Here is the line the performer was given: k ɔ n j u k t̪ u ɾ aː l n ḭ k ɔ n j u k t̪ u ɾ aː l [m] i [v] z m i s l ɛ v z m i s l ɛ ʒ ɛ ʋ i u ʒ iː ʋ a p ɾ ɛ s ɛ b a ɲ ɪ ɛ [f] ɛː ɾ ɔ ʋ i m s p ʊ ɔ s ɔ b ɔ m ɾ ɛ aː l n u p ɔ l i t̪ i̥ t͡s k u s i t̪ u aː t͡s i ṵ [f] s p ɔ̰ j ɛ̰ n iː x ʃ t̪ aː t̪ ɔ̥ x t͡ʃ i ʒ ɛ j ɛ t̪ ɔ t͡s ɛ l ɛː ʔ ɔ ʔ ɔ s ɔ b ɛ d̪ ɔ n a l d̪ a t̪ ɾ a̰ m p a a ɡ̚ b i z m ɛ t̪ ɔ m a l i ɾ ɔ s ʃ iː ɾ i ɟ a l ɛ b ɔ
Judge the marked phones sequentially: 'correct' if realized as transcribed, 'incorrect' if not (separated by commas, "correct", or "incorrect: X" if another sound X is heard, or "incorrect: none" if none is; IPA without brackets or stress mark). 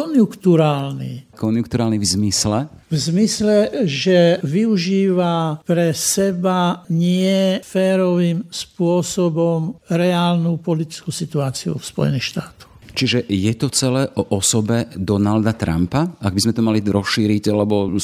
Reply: incorrect: n, correct, correct, correct